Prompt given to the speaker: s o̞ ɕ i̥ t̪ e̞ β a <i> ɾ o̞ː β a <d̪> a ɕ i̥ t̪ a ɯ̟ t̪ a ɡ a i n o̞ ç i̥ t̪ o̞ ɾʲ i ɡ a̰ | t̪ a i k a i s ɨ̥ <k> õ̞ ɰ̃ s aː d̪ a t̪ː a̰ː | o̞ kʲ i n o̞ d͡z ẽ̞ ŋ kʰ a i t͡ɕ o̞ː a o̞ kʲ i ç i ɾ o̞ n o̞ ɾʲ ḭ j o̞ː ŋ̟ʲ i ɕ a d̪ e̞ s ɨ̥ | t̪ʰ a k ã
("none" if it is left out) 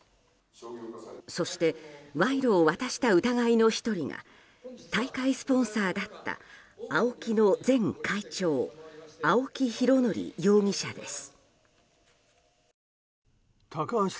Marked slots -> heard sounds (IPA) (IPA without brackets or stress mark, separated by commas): i, t̪, p